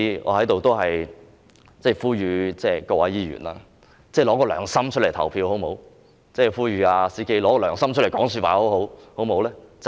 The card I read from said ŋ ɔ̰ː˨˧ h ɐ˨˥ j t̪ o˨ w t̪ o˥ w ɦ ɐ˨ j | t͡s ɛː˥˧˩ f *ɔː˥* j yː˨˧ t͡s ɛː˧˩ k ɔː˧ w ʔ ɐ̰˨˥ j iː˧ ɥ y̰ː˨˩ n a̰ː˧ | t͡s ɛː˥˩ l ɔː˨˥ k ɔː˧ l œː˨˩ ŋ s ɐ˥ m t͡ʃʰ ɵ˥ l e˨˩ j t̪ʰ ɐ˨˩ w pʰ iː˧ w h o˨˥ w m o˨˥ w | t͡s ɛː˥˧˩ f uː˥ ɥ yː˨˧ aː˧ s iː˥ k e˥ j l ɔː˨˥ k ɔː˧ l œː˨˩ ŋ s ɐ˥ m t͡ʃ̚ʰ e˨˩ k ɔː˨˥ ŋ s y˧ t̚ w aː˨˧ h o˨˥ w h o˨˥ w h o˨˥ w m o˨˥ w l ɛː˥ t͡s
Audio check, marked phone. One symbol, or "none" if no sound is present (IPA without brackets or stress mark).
uː˥